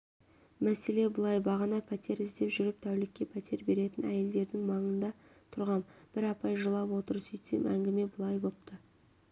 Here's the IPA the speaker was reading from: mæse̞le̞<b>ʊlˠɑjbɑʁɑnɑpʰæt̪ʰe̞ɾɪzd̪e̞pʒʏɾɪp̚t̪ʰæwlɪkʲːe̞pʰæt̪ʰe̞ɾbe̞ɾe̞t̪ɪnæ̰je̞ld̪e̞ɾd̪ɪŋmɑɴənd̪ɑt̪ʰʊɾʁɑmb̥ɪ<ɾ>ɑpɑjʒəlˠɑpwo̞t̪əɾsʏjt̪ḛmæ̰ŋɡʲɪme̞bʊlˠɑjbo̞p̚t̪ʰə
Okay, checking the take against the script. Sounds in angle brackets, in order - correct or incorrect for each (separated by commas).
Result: correct, correct